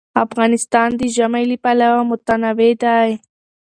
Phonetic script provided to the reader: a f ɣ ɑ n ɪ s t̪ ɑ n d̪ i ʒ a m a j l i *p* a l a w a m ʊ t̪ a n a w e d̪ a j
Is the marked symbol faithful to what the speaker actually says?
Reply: yes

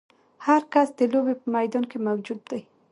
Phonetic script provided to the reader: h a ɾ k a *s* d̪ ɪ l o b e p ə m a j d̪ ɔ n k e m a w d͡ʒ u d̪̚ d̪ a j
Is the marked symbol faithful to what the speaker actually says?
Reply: yes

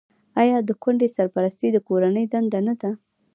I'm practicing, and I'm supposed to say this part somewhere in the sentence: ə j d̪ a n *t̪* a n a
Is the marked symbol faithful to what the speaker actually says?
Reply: no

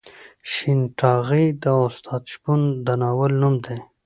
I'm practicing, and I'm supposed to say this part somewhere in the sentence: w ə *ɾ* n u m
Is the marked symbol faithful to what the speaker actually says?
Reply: no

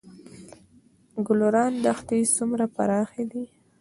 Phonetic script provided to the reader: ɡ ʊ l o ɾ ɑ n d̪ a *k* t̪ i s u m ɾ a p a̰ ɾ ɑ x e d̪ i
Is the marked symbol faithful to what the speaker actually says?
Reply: no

